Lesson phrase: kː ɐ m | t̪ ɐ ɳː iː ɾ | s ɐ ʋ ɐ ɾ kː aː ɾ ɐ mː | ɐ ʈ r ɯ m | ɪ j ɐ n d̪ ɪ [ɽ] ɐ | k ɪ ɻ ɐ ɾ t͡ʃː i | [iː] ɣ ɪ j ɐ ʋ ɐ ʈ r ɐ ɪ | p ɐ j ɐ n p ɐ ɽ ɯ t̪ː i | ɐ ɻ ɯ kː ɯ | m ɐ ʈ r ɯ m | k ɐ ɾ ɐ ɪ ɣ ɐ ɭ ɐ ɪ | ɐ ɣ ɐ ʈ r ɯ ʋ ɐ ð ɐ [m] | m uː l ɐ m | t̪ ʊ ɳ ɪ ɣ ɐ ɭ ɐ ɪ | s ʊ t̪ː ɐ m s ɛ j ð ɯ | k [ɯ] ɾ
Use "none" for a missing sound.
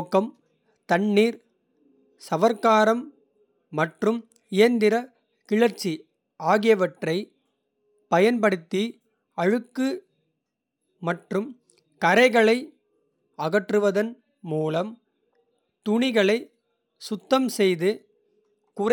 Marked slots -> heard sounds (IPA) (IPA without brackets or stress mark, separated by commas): ɾ, aː, n, ʊ